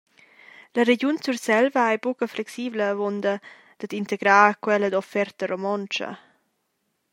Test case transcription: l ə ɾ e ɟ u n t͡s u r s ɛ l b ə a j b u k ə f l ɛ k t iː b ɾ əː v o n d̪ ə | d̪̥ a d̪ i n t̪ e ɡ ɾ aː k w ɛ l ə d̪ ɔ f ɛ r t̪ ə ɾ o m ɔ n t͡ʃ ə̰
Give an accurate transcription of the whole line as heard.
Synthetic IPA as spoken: l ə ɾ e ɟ u n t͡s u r s ɛ l v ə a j b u k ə f l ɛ k s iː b l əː v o n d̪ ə | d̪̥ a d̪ i n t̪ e ɡ ɾ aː k w ɛ l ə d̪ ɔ f ɛ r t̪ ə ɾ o m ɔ n t͡ʃ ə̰

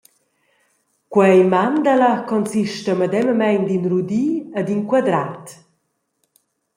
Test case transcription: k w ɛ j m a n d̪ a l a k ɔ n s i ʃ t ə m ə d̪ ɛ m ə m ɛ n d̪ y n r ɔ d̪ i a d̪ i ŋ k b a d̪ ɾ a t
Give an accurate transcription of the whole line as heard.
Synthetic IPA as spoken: k w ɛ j m a n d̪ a l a k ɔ n s i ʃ t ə m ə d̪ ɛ m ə m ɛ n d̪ i n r u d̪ i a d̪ i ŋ k w a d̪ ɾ a t

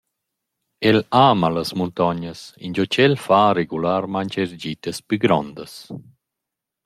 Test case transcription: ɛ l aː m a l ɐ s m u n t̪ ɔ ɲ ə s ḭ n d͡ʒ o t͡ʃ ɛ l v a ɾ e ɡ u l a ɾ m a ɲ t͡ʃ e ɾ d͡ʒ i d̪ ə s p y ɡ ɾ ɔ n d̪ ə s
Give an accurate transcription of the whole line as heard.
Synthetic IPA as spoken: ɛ l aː m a l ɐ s m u n t̪ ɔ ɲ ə s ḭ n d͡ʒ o t͡ʃ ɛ l f a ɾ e ɡ u l a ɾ m a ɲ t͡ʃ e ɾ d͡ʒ i t̪ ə s p y ɡ ɾ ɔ n d̪ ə s

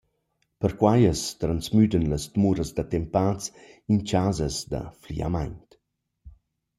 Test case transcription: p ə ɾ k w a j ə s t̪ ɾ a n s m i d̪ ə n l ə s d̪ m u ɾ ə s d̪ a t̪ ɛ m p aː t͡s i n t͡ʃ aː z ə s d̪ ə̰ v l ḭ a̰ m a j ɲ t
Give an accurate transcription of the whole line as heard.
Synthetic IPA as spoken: p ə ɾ k w a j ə s t̪ ɾ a n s m y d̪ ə n l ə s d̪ m u ɾ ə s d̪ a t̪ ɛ m p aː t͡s i n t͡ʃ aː z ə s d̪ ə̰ f l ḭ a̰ m a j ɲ t

